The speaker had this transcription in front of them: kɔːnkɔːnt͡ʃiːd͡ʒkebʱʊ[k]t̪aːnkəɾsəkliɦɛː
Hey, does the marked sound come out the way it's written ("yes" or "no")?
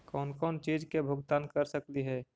no